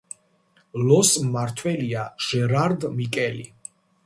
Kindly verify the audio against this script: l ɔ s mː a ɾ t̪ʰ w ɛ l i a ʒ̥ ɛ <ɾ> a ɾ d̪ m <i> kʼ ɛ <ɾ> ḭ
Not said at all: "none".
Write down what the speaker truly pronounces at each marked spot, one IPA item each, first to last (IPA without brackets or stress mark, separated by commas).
ɾ, i, l